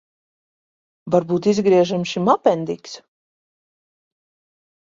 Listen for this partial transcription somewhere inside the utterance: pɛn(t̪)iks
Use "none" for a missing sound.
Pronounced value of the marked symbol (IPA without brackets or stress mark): d̪